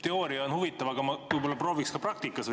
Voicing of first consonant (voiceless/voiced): voiceless